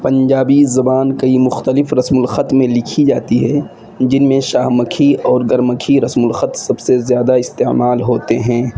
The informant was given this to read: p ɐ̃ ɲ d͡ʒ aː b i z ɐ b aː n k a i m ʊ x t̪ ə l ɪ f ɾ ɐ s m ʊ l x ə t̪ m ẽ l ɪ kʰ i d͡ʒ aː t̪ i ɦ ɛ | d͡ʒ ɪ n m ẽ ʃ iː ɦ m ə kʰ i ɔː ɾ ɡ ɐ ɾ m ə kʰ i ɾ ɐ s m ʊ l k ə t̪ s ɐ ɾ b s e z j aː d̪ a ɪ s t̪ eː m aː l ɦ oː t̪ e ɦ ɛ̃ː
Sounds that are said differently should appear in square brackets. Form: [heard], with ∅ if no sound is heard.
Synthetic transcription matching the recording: p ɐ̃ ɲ d͡ʒ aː b i z ɐ b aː n k [ɐ] i m ʊ x t̪ ə l ɪ f ɾ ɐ s m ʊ l x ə t̪ m ẽ l ɪ kʰ i d͡ʒ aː t̪ i ɦ ɛ | d͡ʒ ɪ n m ẽ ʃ [aː] ɦ m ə kʰ i ɔː ɾ ɡ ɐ ɾ m ə kʰ i ɾ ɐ s m ʊ l [x] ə t̪ s ɐ [∅] b s e z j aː d̪ a ɪ s t̪ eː m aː l ɦ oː t̪ e ɦ ɛ̃ː